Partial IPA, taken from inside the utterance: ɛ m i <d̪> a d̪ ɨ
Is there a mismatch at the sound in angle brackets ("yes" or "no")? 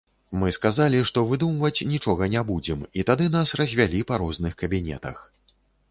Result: yes